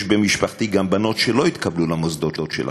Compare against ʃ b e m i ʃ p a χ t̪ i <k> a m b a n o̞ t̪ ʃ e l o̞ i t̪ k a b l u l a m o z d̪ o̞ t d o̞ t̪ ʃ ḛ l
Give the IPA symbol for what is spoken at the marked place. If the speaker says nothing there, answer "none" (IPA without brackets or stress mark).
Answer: ɡ